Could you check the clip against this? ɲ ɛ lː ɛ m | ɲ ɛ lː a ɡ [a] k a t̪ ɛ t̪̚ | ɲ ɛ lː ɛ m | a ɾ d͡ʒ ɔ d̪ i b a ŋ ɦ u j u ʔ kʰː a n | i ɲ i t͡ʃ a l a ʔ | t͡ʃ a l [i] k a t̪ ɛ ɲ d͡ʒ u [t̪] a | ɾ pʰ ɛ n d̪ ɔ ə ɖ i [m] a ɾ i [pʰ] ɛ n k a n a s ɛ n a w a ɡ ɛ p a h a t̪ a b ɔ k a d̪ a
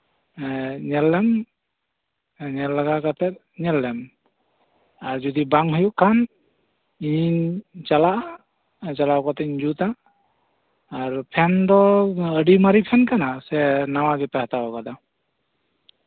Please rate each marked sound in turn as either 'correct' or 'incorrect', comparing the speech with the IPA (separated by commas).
correct, incorrect, correct, correct, correct